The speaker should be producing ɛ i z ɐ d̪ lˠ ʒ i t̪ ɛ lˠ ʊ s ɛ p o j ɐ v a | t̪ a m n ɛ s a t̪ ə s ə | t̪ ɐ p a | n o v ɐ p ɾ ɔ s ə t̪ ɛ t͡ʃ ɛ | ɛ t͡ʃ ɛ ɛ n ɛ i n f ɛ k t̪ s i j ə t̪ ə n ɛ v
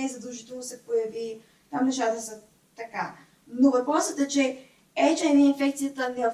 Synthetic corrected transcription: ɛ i z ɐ d̪ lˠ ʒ i t̪ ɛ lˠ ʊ s ɛ p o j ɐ v i | t̪ a m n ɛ ʃ a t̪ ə s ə | t̪ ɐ k a | n o v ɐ p ɾ ɔ s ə t̪ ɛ t͡ʃ ɛ | ɛ t͡ʃ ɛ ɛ n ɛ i n f ɛ k t̪ s i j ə t̪ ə n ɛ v